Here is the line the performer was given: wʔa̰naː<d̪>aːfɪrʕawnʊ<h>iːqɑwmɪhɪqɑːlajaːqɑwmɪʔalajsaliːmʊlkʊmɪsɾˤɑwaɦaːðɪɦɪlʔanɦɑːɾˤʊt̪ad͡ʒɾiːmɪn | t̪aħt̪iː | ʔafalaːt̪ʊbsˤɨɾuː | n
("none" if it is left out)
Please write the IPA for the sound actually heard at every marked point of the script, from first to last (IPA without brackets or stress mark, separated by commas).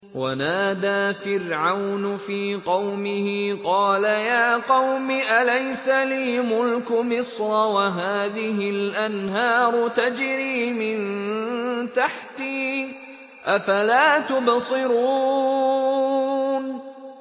d̪, f